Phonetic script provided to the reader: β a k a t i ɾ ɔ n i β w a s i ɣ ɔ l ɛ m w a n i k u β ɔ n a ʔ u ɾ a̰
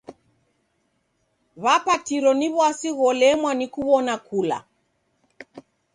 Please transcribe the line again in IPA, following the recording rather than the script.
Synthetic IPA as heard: β a p a t i ɾ ɔ n i β w a s i ɣ ɔ l ɛ m w a n i k u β ɔ n a k u l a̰